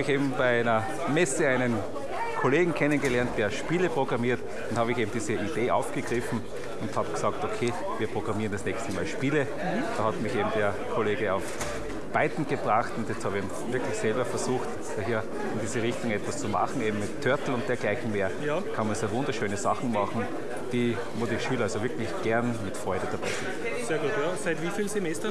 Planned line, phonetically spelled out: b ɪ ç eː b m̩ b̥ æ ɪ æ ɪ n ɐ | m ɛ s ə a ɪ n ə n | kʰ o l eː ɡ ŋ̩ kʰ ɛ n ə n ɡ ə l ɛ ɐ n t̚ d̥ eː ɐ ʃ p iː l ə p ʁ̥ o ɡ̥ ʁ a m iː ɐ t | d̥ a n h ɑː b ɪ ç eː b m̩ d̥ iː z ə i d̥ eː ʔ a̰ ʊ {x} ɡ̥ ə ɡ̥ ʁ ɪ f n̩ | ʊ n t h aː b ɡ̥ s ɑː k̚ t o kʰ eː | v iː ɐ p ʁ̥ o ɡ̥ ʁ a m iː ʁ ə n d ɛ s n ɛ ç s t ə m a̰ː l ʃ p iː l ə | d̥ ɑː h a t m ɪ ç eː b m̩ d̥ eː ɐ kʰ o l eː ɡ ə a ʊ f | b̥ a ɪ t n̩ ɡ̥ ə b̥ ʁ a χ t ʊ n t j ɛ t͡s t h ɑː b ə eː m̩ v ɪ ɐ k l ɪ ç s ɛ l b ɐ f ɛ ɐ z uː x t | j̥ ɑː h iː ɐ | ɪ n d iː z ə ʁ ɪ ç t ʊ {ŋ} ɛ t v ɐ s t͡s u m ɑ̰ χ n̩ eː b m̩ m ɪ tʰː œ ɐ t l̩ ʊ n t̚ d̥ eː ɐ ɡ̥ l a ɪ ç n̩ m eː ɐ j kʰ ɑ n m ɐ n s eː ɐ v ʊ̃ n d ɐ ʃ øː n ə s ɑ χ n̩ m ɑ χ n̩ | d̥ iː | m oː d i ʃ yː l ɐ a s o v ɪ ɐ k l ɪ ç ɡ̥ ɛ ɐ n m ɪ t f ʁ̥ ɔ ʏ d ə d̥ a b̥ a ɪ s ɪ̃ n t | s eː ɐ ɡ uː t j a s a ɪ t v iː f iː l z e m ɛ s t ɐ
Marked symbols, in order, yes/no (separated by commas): no, yes